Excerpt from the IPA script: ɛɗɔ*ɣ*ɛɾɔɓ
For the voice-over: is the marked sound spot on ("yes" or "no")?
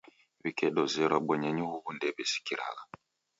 no